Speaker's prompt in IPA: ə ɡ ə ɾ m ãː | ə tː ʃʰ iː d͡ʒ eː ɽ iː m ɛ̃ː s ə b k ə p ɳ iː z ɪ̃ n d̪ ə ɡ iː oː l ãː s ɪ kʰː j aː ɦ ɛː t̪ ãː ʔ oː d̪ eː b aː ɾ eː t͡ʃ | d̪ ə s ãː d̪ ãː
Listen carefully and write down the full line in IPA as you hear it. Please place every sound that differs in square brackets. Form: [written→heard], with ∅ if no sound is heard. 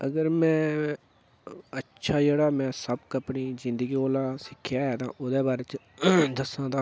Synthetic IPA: ə ɡ ə ɾ m [ãː→ɛ̃ː] | ə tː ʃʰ [iː→aː] d͡ʒ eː ɽ [iː→aː] m ɛ̃ː s ə b k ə p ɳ iː z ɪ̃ n d̪ ə ɡ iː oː l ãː s ɪ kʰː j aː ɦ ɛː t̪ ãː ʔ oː d̪ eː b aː ɾ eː t͡ʃ | d̪ ə s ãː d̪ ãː

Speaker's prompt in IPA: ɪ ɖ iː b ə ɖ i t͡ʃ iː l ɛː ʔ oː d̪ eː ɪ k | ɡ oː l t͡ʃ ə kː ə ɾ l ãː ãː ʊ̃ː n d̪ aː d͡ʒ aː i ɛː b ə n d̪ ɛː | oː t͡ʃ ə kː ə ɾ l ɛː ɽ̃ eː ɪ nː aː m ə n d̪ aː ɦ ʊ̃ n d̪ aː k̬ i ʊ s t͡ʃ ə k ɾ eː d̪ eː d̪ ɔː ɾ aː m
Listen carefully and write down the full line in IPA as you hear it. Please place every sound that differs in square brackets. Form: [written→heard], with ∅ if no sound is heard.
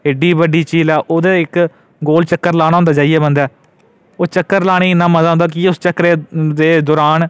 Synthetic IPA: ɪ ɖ iː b ə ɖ [i→iː] t͡ʃ iː l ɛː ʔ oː d̪ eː ɪ k | ɡ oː l t͡ʃ ə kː ə ɾ l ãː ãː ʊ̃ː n d̪ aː d͡ʒ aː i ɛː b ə n d̪ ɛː | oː t͡ʃ ə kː ə ɾ l [ɛː→aː] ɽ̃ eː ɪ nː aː m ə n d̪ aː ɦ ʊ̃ n d̪ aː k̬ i ʊ s t͡ʃ ə k ɾ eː d̪ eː d̪ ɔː ɾ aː [m→n]

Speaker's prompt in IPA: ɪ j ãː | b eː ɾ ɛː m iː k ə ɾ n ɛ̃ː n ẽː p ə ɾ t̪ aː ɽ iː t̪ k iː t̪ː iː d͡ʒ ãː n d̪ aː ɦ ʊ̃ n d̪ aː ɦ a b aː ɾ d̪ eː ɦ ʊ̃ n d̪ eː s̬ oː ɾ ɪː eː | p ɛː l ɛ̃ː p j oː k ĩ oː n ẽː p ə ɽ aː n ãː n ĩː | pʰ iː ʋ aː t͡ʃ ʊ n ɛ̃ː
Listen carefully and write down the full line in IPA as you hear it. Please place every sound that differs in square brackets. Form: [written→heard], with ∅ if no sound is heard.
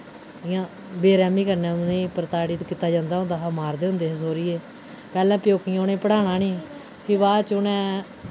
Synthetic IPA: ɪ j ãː | b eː ɾ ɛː m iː k ə ɾ n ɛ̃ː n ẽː p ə ɾ t̪ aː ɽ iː t̪ k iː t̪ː [iː→aː] d͡ʒ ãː n d̪ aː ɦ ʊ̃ n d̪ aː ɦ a [b→m] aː ɾ d̪ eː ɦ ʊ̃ n d̪ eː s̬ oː ɾ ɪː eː | p ɛː l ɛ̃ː p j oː k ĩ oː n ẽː p ə ɽ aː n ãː n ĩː | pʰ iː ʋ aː t͡ʃ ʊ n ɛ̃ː

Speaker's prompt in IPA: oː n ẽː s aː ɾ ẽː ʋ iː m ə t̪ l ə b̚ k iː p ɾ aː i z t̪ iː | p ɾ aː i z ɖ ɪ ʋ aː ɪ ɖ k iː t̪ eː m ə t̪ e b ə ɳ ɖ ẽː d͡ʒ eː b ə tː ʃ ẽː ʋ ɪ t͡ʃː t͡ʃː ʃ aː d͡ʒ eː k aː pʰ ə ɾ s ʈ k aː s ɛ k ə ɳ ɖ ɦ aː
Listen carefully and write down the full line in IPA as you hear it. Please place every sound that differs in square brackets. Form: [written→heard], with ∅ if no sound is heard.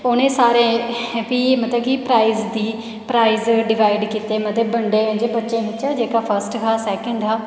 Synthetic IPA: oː n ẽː s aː ɾ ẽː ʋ iː m ə t̪ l ə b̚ k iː p ɾ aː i z [t̪→d̪] iː | p ɾ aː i z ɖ ɪ ʋ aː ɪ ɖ k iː t̪ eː m ə t̪ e b ə ɳ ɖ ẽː d͡ʒ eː b ə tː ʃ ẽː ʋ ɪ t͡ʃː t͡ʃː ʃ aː d͡ʒ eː k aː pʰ ə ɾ s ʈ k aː s [ɛ→ɛː] k ə ɳ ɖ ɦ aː

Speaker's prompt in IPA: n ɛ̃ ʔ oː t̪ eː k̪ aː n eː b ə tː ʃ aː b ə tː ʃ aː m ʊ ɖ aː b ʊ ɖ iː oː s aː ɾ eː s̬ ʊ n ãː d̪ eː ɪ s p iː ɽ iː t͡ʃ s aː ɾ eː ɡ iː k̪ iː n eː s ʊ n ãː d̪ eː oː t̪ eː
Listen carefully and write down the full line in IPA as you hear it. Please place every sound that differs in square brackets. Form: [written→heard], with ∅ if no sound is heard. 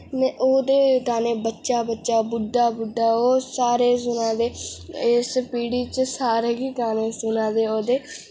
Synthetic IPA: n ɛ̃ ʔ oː [t̪→d̪] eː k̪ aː n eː b ə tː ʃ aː b ə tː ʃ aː [m→b] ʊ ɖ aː b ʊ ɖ [iː→aː] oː s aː ɾ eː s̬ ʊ n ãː d̪ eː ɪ s p iː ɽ iː t͡ʃ s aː ɾ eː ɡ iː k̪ [iː→aː] n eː s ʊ n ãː d̪ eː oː [t̪→d̪] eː

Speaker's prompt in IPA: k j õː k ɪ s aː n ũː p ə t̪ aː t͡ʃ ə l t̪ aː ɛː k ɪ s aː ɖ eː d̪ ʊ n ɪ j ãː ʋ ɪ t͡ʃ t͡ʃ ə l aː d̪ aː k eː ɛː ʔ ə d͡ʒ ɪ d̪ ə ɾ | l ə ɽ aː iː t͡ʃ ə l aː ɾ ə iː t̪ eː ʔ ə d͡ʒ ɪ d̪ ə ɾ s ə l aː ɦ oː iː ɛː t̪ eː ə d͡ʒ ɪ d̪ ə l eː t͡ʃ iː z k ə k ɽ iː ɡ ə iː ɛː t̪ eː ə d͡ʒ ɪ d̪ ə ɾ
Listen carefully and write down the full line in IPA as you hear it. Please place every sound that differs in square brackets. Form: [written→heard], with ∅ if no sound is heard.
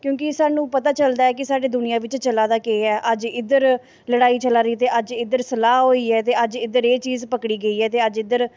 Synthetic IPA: k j õː k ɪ s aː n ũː p ə t̪ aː t͡ʃ ə l [t̪→d̪] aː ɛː k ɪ s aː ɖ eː d̪ ʊ n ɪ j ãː ʋ ɪ t͡ʃ t͡ʃ ə l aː d̪ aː k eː ɛː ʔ ə d͡ʒ ɪ d̪ ə ɾ | l ə ɽ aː iː t͡ʃ ə l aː ɾ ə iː t̪ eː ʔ ə d͡ʒ ɪ d̪ ə ɾ s ə l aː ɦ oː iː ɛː t̪ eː ə d͡ʒ ɪ d̪ ə [l→ɾ] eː t͡ʃ iː z [k→p] ə k ɽ iː ɡ ə iː ɛː t̪ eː ə d͡ʒ ɪ d̪ ə ɾ

